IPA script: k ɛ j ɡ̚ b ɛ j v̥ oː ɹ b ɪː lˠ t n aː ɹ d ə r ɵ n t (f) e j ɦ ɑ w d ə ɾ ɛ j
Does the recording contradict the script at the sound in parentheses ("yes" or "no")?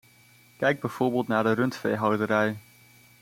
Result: no